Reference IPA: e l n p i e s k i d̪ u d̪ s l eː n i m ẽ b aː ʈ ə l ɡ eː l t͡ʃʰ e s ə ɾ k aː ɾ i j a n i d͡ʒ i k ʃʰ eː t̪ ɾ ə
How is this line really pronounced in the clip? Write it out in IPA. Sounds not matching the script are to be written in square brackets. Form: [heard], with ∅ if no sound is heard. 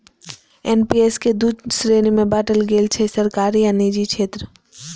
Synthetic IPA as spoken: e [∅] n p i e s k [e] d̪ u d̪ s [ɾ] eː n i m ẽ b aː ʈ ə l ɡ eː l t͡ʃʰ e s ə ɾ k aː ɾ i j a n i d͡ʒ i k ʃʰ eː t̪ ɾ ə